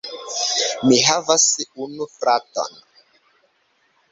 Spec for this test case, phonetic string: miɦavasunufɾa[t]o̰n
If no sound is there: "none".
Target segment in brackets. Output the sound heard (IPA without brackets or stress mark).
t